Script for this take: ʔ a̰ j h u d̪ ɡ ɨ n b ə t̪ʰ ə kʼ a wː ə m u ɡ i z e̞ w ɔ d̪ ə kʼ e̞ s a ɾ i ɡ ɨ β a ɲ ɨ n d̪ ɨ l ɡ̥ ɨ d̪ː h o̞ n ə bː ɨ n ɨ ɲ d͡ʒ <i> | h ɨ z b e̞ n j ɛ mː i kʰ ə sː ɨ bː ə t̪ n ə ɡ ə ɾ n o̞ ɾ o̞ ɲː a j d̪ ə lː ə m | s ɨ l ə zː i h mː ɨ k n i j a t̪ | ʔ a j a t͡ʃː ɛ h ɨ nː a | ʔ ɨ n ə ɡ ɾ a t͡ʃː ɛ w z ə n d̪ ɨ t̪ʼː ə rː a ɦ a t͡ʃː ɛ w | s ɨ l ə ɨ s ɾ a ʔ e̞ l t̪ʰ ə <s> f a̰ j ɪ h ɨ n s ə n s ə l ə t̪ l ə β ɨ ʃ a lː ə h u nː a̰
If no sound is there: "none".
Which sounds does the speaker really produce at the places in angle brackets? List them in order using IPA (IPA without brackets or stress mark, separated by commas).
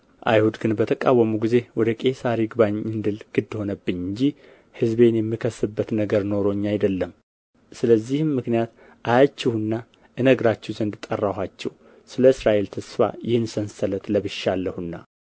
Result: i, s